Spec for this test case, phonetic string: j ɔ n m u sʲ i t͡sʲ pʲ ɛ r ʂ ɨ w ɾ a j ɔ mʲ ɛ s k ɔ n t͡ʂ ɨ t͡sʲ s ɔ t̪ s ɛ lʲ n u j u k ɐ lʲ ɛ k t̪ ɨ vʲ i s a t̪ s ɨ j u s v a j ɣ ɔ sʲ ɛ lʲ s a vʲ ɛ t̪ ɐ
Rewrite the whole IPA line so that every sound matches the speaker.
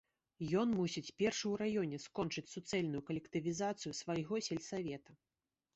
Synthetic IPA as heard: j ɔ n m u sʲ i t͡sʲ pʲ ɛ r ʂ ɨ w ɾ a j ɔ nʲ ɛ s k ɔ n t͡ʂ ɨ t͡sʲ s u t̪ s ɛ lʲ n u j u k ɐ lʲ ɛ k t̪ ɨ vʲ i z a t̪ s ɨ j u s v a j ɣ ɔ sʲ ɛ lʲ s a vʲ ɛ t̪ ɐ